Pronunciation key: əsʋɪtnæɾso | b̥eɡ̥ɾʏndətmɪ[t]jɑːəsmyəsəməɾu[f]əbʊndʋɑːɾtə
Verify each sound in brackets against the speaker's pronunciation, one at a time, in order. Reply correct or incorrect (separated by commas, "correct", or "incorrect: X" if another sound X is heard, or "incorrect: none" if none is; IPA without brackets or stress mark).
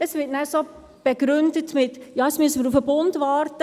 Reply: correct, correct